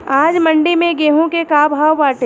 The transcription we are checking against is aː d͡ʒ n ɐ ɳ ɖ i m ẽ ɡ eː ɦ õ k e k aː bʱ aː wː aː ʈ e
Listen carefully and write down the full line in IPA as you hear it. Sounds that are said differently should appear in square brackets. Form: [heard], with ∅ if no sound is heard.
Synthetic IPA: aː d͡ʒ [m] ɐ ɳ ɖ i m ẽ ɡ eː ɦ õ k e k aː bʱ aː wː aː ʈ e